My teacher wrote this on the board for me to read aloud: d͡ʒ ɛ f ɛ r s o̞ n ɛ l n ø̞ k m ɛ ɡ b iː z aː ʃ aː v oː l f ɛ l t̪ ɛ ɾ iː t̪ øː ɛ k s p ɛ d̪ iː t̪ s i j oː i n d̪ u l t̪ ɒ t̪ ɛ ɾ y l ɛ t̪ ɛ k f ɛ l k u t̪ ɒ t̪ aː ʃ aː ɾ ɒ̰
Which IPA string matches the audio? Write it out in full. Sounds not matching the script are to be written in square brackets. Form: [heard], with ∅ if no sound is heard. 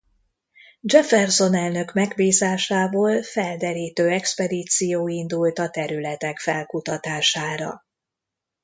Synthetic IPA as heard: d͡ʒ ɛ f ɛ r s o̞ n ɛ l n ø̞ k m ɛ ɡ b iː z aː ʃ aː v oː l f ɛ l [d̪] ɛ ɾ iː t̪ øː ɛ k s p ɛ d̪ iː t̪ s i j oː i n d̪ u l t̪ ɒ t̪ ɛ ɾ y l ɛ t̪ ɛ k f ɛ l k u t̪ ɒ t̪ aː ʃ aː ɾ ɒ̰